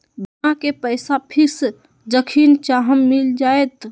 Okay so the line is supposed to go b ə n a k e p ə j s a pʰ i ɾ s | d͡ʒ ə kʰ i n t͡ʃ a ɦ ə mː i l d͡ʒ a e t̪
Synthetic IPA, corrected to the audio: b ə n a k e p ə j s a pʰ i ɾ s | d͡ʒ ə kʰ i n t͡ʃ a ɦ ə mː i l d͡ʒ a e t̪

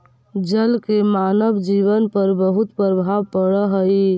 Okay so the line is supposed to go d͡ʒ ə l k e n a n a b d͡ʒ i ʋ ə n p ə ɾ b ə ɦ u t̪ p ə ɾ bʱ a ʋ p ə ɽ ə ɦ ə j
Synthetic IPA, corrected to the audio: d͡ʒ ə l k e m a n ə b d͡ʒ i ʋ ə n p ə ɾ b ə ɦ u t̪ p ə ɾ bʱ a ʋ p ə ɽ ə ɦ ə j

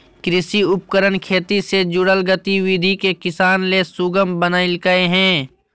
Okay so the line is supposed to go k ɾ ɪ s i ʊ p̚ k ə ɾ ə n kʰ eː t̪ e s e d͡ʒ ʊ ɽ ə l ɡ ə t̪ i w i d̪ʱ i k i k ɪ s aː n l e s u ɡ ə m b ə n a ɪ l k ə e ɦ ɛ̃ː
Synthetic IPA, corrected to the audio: k ɾ ɪ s i ʊ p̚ k ə ɾ ə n kʰ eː t̪ i s e d͡ʒ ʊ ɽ ə l ɡ ə t̪ i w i d̪ʱ i k e k ɪ s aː n l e s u ɡ ə m b ə n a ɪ l k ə e ɦ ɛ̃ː

